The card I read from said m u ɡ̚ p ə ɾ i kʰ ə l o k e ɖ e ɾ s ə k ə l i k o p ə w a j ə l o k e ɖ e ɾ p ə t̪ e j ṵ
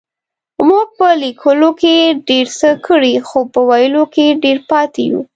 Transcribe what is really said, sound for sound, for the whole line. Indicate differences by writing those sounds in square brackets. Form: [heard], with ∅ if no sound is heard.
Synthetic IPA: m u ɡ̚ p ə [l] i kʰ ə l o k e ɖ e ɾ s ə k ə [ɽ] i [x] o p ə w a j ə l o k e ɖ e ɾ p [ɑ] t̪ e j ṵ